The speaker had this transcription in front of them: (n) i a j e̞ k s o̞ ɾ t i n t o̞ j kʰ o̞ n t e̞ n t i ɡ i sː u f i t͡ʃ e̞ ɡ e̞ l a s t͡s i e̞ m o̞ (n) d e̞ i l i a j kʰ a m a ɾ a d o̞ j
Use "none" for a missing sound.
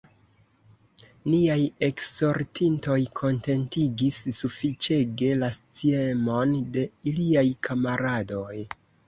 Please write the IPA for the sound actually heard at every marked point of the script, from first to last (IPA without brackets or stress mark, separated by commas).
n, n